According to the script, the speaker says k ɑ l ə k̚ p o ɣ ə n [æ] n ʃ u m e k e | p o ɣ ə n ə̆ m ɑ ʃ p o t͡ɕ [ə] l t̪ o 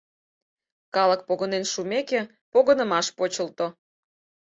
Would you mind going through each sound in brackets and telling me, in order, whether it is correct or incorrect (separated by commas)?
incorrect, correct